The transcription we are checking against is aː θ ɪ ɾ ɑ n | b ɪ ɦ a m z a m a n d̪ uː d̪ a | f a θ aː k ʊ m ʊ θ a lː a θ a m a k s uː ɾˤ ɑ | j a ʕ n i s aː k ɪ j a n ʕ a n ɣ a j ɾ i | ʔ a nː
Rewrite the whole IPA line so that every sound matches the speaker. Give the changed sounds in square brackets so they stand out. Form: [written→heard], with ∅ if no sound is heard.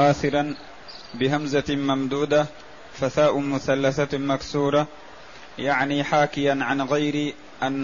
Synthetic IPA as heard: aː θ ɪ ɾ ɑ n | b ɪ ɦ a m z a m a [n→m] d̪ uː d̪ a | f a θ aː [k→ʔ] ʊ m ʊ θ a lː a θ a m a k s uː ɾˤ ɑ | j a ʕ n i [s→ħ] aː k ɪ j a n ʕ a n ɣ a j ɾ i | ʔ a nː